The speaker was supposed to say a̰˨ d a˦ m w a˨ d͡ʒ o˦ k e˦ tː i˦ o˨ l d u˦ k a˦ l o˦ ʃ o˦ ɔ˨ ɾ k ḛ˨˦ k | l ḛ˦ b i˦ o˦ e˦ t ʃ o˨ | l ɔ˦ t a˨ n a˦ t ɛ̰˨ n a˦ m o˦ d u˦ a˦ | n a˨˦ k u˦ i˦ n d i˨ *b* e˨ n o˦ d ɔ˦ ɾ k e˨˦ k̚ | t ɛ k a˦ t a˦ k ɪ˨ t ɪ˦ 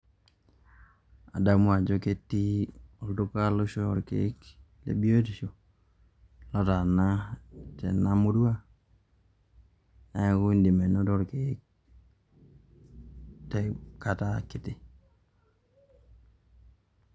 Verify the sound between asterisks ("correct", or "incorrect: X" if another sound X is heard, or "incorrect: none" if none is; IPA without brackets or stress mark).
incorrect: m